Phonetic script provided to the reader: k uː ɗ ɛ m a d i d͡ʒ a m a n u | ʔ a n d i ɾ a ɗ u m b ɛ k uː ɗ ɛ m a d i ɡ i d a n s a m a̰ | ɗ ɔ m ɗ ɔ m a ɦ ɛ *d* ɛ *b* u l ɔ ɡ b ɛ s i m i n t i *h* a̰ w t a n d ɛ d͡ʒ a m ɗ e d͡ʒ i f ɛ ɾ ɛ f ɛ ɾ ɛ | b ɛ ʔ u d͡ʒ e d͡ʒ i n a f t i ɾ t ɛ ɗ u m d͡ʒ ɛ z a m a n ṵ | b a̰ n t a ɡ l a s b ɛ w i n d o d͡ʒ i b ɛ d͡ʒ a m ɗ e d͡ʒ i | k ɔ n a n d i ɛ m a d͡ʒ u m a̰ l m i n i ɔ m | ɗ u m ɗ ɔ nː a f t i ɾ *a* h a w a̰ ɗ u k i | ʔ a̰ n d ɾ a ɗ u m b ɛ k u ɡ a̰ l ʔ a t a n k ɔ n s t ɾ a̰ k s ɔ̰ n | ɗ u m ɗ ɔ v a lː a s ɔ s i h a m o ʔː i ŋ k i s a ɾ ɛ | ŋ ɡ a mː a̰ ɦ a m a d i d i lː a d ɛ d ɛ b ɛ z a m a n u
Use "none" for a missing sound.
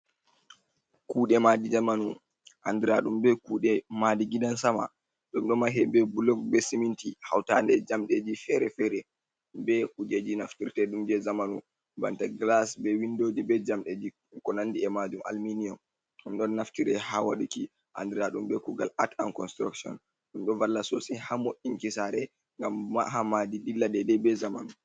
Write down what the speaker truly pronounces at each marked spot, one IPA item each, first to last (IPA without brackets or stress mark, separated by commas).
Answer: b, b, h, ɛ